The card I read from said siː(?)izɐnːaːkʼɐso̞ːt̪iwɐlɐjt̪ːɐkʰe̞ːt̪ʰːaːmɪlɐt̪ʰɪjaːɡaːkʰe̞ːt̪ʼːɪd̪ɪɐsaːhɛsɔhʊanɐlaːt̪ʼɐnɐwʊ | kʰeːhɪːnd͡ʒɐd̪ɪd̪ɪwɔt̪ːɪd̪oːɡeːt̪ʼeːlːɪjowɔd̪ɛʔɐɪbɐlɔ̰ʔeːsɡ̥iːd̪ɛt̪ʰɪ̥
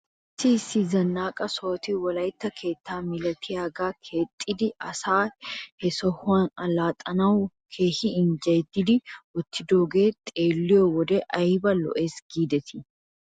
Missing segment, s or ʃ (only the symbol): s